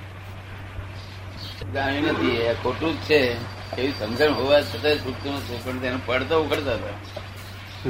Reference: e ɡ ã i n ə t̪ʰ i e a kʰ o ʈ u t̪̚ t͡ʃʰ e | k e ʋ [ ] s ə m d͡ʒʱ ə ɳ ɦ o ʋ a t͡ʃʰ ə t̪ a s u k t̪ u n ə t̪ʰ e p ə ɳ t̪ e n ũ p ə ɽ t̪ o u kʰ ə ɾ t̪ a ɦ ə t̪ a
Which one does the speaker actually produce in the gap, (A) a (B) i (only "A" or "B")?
B